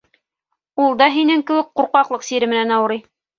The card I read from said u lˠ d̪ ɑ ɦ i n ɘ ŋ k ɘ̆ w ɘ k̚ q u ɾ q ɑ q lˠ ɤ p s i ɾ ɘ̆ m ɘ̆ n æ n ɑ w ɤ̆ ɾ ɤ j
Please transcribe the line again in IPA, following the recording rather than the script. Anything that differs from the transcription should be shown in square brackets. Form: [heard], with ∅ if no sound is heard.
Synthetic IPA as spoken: u lˠ d̪ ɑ ɦ i n ɘ ŋ k ɘ̆ w ɘ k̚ q u ɾ q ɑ q lˠ ɤ [q] s i ɾ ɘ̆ m ɘ̆ n æ n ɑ w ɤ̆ ɾ ɤ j

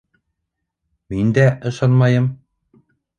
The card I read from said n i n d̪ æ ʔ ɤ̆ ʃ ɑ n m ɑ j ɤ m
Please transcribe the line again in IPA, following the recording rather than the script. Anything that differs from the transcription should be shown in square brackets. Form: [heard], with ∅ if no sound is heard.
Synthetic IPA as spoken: [m] i n d̪ æ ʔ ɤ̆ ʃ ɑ n m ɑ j ɤ m

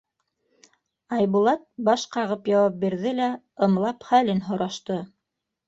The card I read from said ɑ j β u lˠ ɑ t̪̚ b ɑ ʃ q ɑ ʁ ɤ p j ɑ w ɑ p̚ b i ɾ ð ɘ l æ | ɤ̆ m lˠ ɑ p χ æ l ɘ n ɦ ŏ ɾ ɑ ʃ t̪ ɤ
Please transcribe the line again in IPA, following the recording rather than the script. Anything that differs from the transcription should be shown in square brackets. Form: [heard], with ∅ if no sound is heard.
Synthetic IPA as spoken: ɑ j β u lˠ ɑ t̪̚ b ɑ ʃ q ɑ ʁ ɤ p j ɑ w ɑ p̚ b i ɾ ð ɘ l æ | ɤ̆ m lˠ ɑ p χ æ l ɘ n ɦ ŏ ɾ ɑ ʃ t̪ ɤ

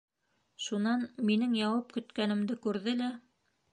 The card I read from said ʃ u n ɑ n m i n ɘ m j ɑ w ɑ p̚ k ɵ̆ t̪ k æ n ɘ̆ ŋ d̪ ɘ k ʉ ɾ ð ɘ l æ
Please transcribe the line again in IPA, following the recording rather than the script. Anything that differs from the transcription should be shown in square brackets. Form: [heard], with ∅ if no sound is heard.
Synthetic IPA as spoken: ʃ u n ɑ n m i n ɘ [ŋ] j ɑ w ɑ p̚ k ɵ̆ t̪ k æ n ɘ̆ [m] d̪ ɘ k ʉ ɾ ð ɘ l æ

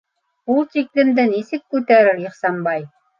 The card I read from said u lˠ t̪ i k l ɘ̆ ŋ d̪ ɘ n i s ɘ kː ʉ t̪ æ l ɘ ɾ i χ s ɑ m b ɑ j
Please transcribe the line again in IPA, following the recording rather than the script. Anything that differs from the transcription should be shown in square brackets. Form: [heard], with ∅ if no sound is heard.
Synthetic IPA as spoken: u lˠ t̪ i k l ɘ̆ [m] d̪ ɘ n i s ɘ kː ʉ t̪ æ [ɾ] ɘ ɾ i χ s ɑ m b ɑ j

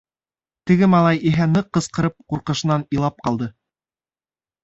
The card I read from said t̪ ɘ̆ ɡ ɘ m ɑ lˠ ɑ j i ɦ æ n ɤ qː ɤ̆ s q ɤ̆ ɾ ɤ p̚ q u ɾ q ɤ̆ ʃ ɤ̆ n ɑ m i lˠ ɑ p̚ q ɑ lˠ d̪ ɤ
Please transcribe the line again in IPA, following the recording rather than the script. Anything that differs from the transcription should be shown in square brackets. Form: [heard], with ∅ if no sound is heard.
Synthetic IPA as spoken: t̪ ɘ̆ ɡ ɘ m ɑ lˠ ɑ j i ɦ æ n ɤ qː ɤ̆ s q ɤ̆ ɾ ɤ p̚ q u ɾ q ɤ̆ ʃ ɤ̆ n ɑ [n] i lˠ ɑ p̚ q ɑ lˠ d̪ ɤ

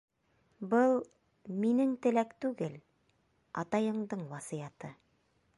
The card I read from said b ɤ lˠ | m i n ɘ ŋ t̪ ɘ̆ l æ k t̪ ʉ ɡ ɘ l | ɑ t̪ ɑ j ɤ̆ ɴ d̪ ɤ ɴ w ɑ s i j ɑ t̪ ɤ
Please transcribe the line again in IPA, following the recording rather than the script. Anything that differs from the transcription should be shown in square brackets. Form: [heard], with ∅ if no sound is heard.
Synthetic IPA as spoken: b ɤ lˠ | m i n ɘ ŋ t̪ ɘ̆ l æ k t̪ ʉ ɡ ɘ l | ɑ t̪ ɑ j ɤ̆ ɴ d̪ ɤ ɴ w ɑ s i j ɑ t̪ ɤ

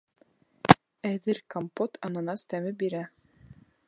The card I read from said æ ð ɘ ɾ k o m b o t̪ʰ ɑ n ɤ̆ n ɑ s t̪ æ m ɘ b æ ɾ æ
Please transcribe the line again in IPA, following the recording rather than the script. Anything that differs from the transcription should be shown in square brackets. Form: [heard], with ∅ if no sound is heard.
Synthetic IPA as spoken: æ ð ɘ ɾ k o m [p] o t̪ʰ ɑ n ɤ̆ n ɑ s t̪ æ m ɘ b [i] ɾ æ

